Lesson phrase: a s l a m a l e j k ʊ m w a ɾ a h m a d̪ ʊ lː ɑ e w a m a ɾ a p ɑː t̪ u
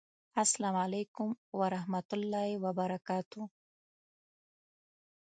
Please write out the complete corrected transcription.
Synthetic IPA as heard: a s l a m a l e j k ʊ m w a ɾ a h m a t̪ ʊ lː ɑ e w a b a ɾ a k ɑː t̪ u